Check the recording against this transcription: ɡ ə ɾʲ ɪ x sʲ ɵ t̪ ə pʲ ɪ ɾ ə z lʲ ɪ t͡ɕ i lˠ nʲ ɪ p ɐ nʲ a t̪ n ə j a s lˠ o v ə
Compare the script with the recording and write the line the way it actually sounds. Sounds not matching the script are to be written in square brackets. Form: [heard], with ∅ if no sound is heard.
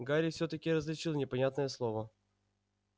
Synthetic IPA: ɡ [a] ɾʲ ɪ [f] sʲ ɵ t̪ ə [kʲ] ɪ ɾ ə z lʲ ɪ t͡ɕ i lˠ nʲ ɪ p ɐ nʲ a t̪ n ə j [ə] s lˠ o v ə